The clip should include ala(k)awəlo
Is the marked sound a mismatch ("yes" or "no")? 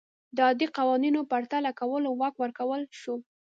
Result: no